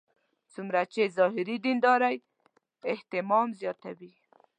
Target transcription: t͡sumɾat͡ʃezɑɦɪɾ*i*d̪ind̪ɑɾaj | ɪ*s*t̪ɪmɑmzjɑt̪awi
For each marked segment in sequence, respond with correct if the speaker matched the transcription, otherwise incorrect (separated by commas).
correct, incorrect